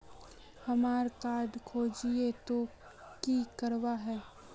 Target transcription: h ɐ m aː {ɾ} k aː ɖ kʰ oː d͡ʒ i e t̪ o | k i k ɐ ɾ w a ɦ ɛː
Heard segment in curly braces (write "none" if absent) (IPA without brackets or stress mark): ɾ